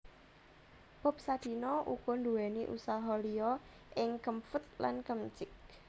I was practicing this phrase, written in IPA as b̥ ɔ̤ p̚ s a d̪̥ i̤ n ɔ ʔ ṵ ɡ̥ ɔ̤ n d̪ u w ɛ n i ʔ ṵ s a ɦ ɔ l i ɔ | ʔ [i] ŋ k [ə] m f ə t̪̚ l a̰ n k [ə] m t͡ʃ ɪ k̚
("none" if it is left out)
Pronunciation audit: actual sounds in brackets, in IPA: ɪ, ə, ə

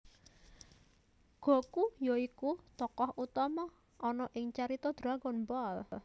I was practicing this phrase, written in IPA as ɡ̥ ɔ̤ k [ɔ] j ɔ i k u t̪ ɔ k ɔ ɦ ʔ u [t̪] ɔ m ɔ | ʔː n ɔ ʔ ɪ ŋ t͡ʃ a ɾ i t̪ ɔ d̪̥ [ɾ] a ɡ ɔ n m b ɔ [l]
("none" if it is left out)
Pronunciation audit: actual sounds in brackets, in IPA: u, t̪, ɾ, l

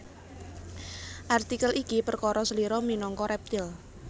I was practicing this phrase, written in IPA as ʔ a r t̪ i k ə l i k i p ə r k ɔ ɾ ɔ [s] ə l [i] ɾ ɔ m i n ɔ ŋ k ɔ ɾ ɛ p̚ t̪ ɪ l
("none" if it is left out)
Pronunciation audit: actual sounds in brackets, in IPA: s, i

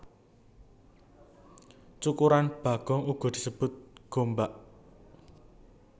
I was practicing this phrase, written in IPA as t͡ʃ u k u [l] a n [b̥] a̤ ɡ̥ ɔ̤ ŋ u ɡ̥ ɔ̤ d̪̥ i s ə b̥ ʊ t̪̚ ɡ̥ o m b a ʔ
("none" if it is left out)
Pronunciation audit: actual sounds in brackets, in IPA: ɾ, b̥

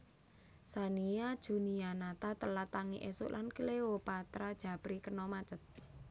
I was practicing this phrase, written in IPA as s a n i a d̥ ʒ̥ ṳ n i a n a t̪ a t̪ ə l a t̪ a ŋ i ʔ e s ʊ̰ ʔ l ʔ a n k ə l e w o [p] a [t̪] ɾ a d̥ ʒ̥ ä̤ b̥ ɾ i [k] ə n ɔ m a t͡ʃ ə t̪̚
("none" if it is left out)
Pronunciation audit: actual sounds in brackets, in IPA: p, t̪, k

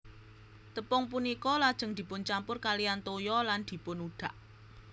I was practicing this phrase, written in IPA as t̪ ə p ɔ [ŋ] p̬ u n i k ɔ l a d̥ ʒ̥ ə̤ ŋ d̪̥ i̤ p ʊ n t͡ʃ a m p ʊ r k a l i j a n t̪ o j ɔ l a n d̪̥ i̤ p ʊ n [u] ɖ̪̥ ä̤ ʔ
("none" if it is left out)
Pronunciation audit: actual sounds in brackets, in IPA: ŋ, u

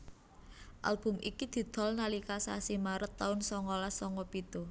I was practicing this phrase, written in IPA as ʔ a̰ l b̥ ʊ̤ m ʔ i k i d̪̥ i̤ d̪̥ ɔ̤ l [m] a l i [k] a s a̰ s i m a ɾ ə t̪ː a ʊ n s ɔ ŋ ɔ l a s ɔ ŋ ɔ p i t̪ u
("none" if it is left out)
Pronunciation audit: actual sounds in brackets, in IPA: n, k

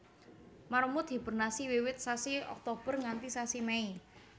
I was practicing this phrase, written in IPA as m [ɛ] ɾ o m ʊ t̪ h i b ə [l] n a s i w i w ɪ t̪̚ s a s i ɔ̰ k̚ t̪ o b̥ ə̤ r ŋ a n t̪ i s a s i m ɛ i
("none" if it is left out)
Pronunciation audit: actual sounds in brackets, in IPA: a, r

